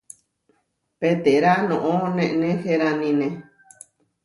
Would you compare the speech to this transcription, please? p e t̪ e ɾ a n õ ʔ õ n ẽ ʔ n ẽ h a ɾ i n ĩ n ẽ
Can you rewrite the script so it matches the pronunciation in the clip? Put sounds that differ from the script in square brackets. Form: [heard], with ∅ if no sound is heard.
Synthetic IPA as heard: p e t̪ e ɾ a n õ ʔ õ n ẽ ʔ n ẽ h [e] ɾ [a] n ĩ n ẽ